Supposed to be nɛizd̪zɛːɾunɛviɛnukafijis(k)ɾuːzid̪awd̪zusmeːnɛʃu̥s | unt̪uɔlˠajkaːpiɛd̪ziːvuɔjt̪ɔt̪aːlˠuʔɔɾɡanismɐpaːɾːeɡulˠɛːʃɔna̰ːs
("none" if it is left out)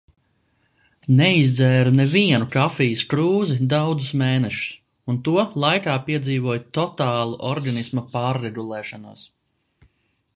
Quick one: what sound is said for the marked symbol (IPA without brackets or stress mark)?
k